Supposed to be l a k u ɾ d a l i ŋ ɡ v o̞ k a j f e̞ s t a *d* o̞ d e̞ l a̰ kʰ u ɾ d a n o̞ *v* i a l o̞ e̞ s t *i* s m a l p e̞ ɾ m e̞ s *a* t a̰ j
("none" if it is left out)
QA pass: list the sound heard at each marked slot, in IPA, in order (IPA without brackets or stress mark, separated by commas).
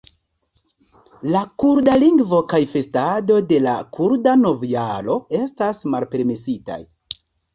d, v, a, i